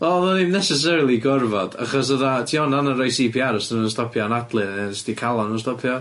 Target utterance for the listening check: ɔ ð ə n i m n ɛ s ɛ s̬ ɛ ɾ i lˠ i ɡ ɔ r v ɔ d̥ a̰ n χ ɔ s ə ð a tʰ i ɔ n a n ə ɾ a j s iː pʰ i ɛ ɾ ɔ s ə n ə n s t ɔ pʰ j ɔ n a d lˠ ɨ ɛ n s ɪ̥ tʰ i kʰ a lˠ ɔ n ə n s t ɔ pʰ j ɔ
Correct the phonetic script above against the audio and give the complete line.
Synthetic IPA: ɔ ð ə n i m n ɛ s ɛ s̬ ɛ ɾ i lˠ i ɡ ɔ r v ɔ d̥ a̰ χ ɔ s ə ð a tʰ i ɔ n a n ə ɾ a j s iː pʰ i a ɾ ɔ s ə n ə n s t ɔ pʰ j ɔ n a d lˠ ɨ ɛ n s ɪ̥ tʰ i kʰ a lˠ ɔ n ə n s t ɔ pʰ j ɔ